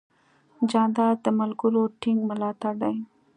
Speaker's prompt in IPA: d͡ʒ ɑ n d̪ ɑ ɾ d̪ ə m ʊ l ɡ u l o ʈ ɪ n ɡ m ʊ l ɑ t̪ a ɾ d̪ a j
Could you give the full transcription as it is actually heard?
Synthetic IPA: d͡ʒ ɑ n d̪ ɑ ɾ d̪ ə m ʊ l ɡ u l o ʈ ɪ ŋ ɡ m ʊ l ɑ t̪ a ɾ d̪ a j